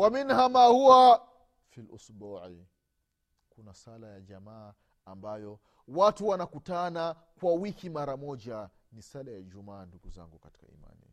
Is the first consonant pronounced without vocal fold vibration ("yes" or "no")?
no